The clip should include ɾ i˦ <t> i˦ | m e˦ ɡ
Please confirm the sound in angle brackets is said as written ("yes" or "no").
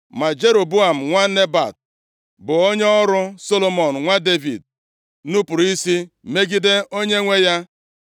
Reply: no